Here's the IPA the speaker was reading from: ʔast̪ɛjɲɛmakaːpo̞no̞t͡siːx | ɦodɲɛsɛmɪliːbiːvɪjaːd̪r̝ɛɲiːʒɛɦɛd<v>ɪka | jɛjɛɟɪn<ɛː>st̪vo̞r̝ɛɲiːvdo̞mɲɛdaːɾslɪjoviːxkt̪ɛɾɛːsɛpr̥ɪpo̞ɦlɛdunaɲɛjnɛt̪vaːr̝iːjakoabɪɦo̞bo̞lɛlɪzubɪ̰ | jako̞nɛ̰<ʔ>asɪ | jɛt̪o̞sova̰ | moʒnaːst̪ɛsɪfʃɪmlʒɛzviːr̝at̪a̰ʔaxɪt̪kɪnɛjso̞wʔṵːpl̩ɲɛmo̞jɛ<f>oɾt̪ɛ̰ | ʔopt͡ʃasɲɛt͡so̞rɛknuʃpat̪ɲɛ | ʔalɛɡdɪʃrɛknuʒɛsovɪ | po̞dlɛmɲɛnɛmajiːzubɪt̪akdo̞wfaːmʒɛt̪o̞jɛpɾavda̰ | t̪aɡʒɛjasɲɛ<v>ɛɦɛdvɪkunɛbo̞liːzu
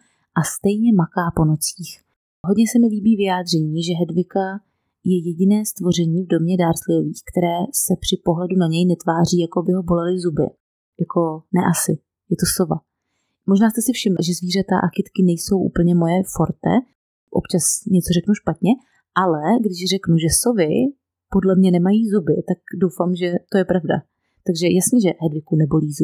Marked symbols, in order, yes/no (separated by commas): yes, yes, yes, yes, no